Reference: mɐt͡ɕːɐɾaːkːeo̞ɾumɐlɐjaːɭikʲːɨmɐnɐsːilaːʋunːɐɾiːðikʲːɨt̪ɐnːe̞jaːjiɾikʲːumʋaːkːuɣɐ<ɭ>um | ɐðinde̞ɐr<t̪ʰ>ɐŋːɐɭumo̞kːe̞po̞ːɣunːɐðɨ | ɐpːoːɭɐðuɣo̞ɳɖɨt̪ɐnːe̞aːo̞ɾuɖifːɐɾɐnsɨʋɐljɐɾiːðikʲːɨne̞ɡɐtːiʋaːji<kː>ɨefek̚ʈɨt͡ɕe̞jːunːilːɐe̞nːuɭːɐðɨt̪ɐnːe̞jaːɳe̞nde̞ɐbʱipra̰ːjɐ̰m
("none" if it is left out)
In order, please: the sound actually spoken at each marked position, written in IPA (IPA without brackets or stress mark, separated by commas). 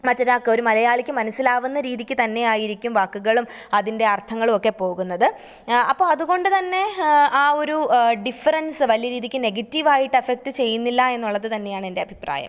ɭ, t̪ʰ, ʈː